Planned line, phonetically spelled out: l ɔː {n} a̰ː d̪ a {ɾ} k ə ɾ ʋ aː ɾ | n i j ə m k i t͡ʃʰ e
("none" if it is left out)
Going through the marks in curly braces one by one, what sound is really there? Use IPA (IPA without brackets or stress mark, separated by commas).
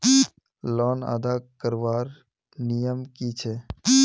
n, none